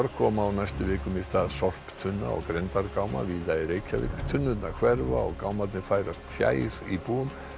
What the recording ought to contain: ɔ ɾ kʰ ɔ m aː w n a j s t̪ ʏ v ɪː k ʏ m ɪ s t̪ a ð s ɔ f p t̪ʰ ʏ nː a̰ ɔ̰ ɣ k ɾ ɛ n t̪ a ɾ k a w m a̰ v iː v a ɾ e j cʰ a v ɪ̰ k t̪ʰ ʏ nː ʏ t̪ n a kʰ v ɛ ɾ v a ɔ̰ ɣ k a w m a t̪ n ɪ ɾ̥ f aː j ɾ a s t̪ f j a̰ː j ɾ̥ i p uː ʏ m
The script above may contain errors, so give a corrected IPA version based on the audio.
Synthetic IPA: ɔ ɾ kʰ ɔ m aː w n a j s t̪ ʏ v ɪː k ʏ m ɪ s t̪ a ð s ɔ f p t̪ʰ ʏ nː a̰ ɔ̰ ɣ k ɾ ɛ n t̪ a ɾ k a w m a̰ v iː ð a ɾ e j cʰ a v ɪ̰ k t̪ʰ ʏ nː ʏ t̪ n a kʰ v ɛ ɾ v a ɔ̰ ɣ k a w m a t̪ n ɪ f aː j ɾ a s t̪ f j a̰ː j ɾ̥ i p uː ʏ m